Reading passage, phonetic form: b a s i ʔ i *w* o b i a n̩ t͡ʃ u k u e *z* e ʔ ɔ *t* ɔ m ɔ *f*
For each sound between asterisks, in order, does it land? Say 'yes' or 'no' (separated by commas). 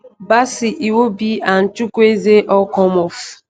yes, yes, no, yes